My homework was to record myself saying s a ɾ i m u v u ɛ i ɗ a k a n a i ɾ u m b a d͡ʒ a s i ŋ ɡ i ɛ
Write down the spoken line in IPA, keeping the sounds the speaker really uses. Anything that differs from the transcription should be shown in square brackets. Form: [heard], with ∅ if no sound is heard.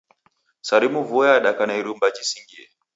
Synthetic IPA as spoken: s a ɾ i m u v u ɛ [a] ɗ a k a n a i ɾ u m b a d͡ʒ [i] s i ŋ ɡ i ɛ